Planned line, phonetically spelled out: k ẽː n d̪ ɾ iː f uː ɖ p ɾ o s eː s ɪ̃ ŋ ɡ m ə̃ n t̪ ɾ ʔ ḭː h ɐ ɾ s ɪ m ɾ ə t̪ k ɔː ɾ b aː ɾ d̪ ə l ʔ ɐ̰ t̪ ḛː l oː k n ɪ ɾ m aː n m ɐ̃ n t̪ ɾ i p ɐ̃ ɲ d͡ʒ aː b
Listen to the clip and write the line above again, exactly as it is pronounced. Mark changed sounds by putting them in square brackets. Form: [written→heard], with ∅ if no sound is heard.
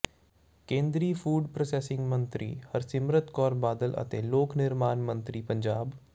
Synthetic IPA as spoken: k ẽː n d̪ ɾ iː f uː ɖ p ɾ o s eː s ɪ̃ ŋ ɡ m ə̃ n t̪ ɾ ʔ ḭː h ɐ ɾ s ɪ m ɾ ə t̪ k ɔː ɾ b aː [ɾ→∅] d̪ ə l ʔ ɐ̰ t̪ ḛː l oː k n ɪ ɾ m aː n m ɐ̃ n t̪ ɾ i p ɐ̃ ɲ d͡ʒ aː b